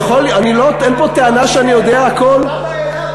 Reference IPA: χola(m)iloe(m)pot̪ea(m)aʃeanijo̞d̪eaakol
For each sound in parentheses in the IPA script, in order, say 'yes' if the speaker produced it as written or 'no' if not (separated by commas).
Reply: no, no, no